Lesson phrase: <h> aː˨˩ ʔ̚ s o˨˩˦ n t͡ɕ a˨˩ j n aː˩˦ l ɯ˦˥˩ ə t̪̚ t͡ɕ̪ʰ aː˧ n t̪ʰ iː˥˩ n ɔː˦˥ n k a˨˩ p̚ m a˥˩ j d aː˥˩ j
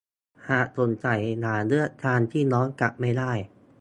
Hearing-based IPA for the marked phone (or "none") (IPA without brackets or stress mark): h